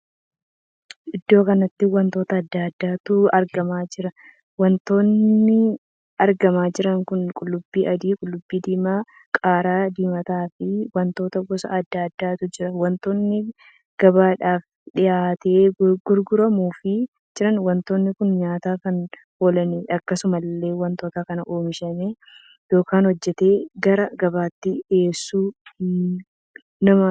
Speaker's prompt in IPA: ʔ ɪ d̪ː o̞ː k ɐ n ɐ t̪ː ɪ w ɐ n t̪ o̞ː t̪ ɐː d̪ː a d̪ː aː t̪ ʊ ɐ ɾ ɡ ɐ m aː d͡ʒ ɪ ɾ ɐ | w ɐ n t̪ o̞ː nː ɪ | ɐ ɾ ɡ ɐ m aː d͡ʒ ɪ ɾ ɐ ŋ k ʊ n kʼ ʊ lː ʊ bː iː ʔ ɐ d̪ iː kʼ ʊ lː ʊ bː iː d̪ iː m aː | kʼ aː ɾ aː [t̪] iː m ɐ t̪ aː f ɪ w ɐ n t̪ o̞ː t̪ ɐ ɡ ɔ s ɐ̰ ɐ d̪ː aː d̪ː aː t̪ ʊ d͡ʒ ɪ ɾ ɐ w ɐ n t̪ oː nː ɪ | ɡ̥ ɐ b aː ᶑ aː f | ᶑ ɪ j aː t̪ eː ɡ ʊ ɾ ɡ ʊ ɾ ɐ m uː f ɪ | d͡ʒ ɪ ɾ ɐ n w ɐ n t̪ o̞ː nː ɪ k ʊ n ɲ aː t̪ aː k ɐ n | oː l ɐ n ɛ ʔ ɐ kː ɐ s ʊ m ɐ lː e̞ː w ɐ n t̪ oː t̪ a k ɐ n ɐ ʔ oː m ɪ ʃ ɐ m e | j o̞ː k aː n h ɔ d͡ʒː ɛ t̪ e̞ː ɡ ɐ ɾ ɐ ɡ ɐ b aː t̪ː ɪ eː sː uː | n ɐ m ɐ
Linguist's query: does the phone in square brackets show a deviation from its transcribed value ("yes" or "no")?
yes